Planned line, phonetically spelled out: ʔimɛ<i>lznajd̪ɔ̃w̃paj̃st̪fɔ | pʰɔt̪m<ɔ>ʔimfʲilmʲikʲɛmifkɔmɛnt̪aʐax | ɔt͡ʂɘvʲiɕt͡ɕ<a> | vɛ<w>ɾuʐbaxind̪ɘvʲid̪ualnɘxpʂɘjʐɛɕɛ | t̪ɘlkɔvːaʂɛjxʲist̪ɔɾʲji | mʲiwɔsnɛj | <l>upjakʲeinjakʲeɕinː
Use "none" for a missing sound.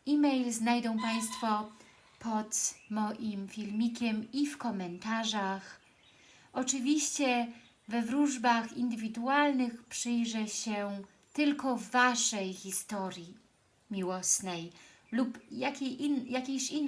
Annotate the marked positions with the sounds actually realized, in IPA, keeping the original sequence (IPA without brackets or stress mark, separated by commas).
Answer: j, ɔ, ɛ, v, l